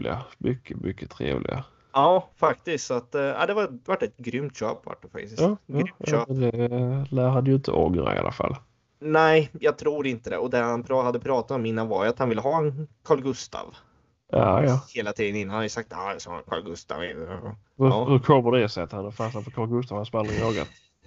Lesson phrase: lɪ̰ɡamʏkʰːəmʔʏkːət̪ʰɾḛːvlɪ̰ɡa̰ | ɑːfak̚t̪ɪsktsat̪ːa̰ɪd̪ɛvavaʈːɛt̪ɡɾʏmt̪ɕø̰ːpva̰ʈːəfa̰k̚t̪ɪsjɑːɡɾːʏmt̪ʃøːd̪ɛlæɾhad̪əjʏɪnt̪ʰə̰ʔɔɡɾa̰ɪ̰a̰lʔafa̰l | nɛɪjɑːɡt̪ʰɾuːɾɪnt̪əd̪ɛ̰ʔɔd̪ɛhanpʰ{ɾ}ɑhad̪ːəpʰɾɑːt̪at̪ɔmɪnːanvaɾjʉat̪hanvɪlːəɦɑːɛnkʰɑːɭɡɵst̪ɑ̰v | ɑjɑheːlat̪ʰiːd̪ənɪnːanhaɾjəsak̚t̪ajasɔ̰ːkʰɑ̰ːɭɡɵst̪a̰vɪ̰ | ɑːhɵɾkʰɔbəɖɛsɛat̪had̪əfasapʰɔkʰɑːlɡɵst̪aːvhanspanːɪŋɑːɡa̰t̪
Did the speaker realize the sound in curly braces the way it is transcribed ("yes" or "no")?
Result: yes